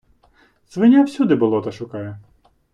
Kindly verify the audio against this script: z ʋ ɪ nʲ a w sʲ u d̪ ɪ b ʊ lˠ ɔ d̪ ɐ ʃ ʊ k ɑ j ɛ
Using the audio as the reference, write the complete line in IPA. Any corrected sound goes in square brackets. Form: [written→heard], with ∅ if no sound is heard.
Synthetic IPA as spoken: z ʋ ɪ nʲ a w sʲ u d̪ ɪ b ʊ lˠ ɔ [d̪→t̪] ɐ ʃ ʊ k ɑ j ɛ